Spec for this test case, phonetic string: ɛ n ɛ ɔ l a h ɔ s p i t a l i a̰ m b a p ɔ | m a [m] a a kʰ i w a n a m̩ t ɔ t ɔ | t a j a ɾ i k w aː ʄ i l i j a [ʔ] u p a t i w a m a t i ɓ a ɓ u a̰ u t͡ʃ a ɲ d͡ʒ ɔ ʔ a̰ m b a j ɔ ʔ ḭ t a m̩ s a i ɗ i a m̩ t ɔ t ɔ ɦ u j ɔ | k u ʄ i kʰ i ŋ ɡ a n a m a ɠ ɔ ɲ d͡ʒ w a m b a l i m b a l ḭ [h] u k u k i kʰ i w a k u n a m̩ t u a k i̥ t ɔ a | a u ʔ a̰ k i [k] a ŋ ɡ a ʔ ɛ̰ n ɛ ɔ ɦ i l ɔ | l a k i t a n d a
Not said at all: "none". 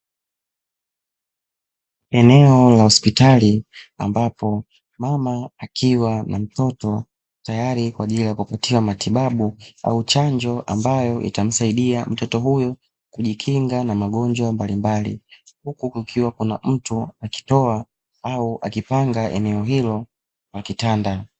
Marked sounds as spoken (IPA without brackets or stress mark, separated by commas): m, k, h, p